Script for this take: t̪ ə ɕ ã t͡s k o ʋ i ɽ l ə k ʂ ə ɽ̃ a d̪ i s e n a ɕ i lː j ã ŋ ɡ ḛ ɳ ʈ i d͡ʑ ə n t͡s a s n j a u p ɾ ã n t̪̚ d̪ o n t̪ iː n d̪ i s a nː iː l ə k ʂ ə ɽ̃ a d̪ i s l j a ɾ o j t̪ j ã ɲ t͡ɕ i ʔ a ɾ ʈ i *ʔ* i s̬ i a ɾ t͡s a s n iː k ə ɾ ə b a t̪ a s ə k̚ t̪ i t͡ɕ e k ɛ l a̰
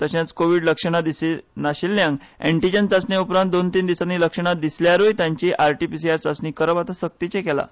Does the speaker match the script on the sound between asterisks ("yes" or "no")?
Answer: no